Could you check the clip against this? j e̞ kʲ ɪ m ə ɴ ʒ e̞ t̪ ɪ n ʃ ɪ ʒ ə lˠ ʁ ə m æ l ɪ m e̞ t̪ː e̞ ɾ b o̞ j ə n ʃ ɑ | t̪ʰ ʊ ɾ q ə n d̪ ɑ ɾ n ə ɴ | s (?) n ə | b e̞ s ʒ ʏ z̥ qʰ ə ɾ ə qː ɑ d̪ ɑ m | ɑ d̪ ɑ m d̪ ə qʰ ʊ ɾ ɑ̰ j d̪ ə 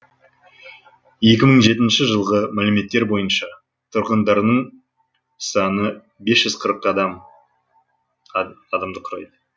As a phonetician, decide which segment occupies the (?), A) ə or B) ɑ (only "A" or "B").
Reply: B